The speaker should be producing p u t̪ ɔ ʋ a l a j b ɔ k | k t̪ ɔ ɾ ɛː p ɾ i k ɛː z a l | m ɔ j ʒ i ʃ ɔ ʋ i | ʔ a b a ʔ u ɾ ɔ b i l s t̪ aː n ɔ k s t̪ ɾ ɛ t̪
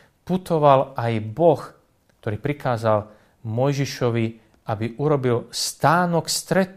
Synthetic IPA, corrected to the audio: p u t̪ ɔ ʋ a l a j b ɔ x | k t̪ ɔ ɾ iː p ɾ i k aː z a l | m ɔ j ʒ i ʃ ɔ ʋ i | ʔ a b i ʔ u ɾ ɔ b i l s t̪ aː n ɔ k s t̪ ɾ ɛ t̪